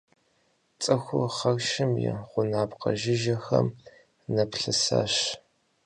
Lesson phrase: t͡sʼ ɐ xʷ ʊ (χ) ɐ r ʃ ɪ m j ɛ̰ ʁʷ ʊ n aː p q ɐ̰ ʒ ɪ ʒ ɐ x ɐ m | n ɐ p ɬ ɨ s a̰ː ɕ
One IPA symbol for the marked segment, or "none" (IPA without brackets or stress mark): χ